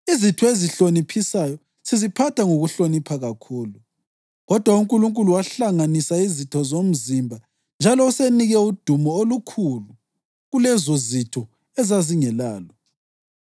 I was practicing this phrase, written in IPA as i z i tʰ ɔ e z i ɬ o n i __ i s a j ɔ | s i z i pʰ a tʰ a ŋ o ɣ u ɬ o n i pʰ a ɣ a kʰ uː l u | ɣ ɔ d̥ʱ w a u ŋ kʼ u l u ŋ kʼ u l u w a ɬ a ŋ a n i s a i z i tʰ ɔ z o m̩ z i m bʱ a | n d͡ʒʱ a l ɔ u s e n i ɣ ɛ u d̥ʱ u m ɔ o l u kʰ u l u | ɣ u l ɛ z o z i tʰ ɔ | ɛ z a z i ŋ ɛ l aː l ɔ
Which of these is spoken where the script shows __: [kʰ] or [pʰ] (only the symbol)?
pʰ